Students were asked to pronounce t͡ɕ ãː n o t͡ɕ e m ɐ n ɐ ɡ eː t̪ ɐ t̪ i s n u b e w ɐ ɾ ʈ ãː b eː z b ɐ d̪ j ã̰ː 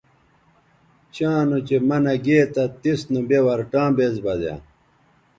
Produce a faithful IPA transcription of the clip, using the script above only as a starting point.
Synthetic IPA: t͡ɕ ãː n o t͡ɕ e m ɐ n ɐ ɡ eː t̪ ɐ t̪ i s n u b e w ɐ ɾ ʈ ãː b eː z b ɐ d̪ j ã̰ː